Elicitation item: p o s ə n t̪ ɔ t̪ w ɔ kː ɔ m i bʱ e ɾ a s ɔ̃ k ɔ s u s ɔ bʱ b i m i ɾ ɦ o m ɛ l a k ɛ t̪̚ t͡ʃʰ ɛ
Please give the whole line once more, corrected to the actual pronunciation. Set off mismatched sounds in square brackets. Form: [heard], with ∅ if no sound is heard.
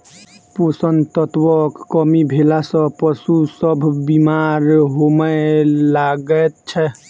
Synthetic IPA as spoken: p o s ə n t̪ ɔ t̪ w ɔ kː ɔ m i bʱ e [l] a s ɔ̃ [p] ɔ s u s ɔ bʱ b i m [a] ɾ ɦ o m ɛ l a [ɡ] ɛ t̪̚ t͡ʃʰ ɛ

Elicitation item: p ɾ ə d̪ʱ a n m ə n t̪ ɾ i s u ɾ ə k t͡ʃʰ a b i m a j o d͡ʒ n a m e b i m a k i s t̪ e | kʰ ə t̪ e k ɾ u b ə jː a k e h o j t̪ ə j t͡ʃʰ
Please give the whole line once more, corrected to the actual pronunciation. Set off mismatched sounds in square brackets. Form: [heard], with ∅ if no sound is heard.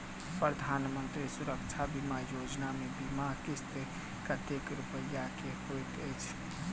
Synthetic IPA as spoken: p ɾ ə d̪ʱ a n m ə n t̪ ɾ i s u ɾ ə k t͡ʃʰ a b i m a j o d͡ʒ n a m e b i m a k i s t̪ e | [k] ə t̪ e k ɾ u [p] ə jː a k e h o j t̪ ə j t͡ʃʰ

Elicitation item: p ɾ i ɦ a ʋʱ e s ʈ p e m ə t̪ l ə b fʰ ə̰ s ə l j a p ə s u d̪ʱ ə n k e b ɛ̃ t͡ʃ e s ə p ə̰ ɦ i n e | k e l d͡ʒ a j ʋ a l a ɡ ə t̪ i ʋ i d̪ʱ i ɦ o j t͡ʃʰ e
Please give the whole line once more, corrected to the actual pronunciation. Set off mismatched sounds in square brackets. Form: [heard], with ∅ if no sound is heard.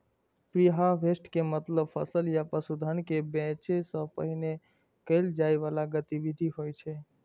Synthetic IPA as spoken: p ɾ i ɦ a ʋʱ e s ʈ [k] e m ə t̪ l ə b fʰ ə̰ s ə l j a p ə s u d̪ʱ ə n k e b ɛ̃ t͡ʃ e s ə p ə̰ ɦ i n e | k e l d͡ʒ a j ʋ a l a ɡ ə t̪ i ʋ i d̪ʱ i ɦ o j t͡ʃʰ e

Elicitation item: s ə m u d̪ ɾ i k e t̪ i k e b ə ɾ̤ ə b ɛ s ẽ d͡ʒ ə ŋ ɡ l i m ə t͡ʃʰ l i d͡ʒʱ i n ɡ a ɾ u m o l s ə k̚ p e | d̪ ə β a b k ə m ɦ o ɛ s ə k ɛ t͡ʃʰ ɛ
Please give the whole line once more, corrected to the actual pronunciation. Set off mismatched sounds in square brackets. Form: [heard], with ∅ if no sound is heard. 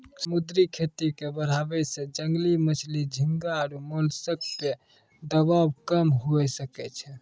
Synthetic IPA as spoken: s ə m u d̪ ɾ i [kʰ] e t̪ i k e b ə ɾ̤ [a] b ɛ s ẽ d͡ʒ ə ŋ ɡ l i m ə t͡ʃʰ l i d͡ʒʱ i [ŋ] ɡ a ɾ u m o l s ə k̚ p e | d̪ ə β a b k ə m ɦ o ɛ s ə k ɛ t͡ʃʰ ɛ

